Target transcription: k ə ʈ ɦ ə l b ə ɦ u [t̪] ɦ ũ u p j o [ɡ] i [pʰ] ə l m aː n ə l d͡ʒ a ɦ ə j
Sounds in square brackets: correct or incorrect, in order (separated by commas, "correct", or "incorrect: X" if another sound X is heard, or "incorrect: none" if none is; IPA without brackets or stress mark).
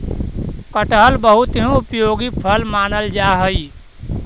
correct, correct, correct